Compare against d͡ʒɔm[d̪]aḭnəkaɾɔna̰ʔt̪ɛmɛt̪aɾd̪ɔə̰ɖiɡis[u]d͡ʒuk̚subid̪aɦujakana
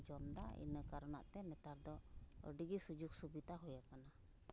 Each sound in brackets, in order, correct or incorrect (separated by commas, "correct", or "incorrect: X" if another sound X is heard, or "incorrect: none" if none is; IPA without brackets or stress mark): correct, correct